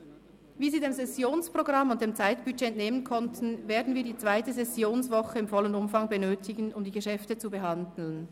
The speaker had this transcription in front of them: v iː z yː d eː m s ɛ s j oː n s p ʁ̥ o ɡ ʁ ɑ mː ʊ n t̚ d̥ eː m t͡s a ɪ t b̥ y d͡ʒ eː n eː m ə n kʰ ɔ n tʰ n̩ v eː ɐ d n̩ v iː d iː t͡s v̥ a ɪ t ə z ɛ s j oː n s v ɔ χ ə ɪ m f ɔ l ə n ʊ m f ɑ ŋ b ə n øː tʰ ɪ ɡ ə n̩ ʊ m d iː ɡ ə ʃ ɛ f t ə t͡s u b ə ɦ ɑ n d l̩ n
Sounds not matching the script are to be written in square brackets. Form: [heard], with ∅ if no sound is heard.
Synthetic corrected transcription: v iː z [iː] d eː m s ɛ s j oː n s p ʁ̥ o ɡ ʁ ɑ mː ʊ n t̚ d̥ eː m t͡s a ɪ t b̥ y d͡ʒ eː n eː m ə n kʰ ɔ n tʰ n̩ v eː ɐ d n̩ v iː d iː t͡s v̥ a ɪ t ə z ɛ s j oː n s v ɔ χ ə ɪ m f ɔ l ə n ʊ m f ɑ ŋ b ə n øː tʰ ɪ ɡ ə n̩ ʊ m d iː ɡ ə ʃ ɛ f t ə t͡s u b ə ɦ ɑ n d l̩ n

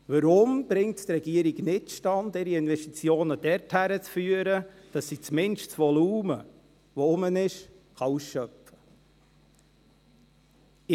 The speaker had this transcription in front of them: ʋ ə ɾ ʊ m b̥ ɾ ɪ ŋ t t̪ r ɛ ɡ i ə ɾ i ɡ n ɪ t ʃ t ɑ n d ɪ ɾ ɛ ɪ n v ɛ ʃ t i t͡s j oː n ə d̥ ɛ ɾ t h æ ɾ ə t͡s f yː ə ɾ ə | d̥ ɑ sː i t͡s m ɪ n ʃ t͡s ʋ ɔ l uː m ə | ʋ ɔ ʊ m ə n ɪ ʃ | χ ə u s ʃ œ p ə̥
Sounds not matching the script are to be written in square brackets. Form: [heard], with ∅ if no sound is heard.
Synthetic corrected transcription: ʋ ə ɾ ʊ m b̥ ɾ ɪ ŋ t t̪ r ɛ ɡ i ə ɾ i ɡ n ɪ t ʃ t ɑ n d ɪ ɾ [i] ɪ n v ɛ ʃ t i t͡s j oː n ə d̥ ɛ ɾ t h æ ɾ ə t͡s f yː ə ɾ ə | d̥ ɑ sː i t͡s m ɪ n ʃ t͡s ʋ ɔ l uː m ə | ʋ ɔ ʊ m ə n ɪ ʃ | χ [ɑ] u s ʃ œ p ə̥

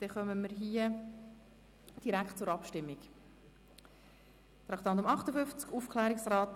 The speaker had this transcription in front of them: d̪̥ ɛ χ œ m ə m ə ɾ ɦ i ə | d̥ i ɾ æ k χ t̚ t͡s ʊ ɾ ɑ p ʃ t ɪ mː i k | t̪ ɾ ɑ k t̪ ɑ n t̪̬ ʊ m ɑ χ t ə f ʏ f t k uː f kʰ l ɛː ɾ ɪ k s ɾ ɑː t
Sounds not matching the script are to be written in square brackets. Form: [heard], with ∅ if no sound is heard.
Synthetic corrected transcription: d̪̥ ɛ χ œ m ə m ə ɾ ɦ i ə | d̥ i ɾ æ k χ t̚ t͡s ʊ ɾ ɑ p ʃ t ɪ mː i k | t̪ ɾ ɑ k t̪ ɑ n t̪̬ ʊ m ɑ χ t ə f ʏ f [t͡s] k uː f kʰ l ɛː ɾ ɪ k s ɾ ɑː t

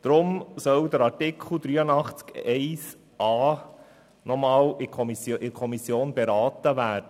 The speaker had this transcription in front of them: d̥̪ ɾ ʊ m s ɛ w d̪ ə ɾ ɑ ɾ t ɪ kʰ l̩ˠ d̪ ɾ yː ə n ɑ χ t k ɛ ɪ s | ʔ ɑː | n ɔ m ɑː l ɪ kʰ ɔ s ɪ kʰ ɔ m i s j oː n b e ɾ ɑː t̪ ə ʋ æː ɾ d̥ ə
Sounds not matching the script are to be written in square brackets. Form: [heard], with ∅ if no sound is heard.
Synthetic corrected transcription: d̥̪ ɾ ʊ m s [œ] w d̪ ə ɾ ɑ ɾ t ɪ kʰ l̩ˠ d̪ ɾ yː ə n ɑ χ [t͡s] k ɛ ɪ s | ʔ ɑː | n ɔ m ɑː l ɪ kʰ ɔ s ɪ kʰ ɔ m i s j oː n b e ɾ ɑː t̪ ə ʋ æː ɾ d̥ ə

